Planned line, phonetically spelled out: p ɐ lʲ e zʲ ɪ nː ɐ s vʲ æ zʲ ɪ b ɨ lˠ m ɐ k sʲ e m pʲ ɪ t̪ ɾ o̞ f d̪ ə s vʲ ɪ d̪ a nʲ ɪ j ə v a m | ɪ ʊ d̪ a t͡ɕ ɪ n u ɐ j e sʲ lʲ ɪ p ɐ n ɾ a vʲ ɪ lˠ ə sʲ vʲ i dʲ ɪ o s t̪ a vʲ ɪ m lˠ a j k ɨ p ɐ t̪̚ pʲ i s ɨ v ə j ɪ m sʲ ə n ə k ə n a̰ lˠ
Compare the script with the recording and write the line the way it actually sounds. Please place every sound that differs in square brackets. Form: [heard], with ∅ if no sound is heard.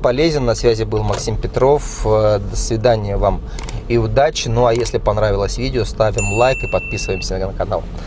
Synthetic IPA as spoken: p ɐ lʲ e zʲ ɪ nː ɐ s vʲ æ zʲ ɪ b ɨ lˠ m ɐ k sʲ [i] m pʲ ɪ t̪ ɾ o̞ f d̪ ə s vʲ ɪ d̪ a nʲ ɪ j ə v a m | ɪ ʊ d̪ a t͡ɕ ɪ n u ɐ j e sʲ lʲ ɪ p ɐ n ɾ a vʲ ɪ lˠ ə sʲ vʲ i dʲ ɪ o s t̪ a vʲ ɪ m lˠ a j k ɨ p ɐ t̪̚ pʲ i s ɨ v ə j ɪ m sʲ ə n ə k [ɐ] n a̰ lˠ